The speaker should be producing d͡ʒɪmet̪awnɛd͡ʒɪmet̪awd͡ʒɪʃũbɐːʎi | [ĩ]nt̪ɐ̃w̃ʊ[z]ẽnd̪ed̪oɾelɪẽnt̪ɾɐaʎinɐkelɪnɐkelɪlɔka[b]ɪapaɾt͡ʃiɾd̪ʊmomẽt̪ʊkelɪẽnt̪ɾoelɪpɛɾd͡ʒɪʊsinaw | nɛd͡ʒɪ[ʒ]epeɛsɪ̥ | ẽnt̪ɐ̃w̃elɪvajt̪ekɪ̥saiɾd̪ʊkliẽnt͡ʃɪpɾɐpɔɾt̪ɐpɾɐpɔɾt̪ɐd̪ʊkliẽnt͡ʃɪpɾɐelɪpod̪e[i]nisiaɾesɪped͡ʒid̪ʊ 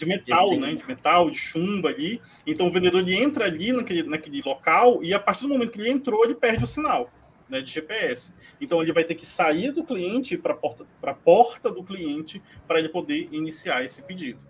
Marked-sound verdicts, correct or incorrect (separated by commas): incorrect, incorrect, incorrect, correct, correct